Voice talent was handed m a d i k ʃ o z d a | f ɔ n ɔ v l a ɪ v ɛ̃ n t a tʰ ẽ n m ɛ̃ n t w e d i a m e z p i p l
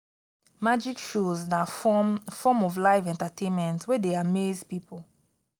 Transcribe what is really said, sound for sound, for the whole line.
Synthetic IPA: m a d͡ʒ i k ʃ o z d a | f ɔ m ɔ v l a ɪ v ɛ̃ n t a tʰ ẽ n m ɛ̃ n t w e d e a m e z p i p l